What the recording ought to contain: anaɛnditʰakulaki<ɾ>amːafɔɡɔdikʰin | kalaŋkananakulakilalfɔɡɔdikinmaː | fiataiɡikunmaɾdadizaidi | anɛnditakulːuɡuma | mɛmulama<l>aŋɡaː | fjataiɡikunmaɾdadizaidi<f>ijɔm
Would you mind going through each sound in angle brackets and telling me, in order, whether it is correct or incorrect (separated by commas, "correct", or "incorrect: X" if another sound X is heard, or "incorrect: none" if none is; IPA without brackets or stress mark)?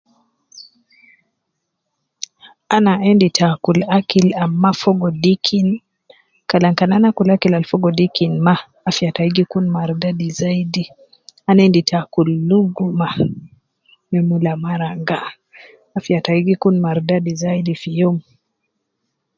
incorrect: l, incorrect: ɾ, correct